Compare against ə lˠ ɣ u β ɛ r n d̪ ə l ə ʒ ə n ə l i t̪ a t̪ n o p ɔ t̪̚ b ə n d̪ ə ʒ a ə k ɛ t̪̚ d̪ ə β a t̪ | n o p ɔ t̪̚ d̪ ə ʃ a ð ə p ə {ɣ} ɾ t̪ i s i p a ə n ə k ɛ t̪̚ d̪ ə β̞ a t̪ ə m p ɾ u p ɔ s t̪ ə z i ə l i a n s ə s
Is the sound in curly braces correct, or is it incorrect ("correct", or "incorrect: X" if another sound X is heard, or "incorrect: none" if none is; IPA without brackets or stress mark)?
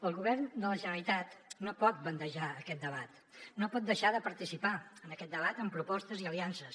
incorrect: none